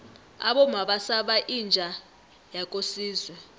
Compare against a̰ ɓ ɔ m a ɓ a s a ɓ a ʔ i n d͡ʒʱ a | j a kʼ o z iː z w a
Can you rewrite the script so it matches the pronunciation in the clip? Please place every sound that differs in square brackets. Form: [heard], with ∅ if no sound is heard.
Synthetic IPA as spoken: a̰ ɓ ɔ m a ɓ a s a ɓ a ʔ i n d͡ʒʱ a | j a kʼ o [s] iː z w [ɛ]